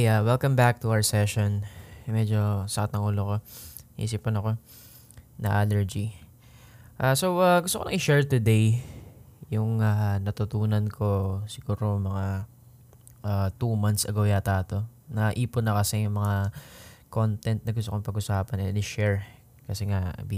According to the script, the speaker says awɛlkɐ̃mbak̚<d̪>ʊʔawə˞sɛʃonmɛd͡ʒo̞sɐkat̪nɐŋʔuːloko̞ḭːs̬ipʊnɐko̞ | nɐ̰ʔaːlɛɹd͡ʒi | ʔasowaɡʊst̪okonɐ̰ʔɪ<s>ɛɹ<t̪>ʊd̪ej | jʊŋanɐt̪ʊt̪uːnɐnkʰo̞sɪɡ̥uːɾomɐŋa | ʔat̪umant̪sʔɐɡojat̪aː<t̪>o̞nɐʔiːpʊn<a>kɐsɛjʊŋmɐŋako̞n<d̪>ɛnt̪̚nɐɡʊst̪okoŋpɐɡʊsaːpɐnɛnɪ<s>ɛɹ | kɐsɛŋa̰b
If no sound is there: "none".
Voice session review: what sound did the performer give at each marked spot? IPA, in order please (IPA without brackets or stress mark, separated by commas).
t̪, ʃ, t̪, t̪, ɐ, t̪, ʃ